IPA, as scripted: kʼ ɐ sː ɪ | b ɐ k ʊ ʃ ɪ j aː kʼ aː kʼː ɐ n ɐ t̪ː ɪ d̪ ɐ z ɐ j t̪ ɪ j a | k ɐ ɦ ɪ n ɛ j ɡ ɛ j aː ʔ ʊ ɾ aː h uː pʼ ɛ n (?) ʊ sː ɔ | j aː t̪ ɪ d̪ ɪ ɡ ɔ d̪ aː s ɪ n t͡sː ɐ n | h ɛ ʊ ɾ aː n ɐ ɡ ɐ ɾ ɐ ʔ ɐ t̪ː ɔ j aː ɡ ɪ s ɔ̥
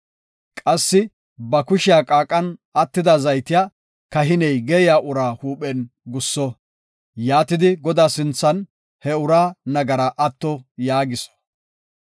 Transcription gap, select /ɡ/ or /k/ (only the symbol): ɡ